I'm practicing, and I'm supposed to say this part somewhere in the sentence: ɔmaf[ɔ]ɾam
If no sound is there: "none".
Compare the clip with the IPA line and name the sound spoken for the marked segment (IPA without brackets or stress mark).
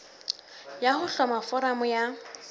ɔ